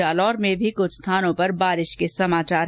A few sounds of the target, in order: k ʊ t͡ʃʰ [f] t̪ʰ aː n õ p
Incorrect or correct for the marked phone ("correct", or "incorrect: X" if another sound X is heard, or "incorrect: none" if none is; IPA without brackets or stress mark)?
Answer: incorrect: s